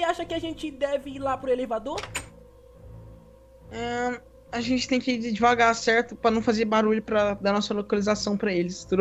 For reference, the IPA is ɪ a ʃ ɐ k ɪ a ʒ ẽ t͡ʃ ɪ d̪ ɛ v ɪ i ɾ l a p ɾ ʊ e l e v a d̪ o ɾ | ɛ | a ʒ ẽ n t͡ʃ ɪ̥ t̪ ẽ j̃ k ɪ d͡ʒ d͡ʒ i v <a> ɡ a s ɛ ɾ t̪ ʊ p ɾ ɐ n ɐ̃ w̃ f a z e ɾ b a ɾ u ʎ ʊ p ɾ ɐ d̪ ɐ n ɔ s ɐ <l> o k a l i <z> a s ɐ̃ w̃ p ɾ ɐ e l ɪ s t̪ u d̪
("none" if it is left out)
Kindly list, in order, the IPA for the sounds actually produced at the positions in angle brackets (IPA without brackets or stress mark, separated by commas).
a, l, z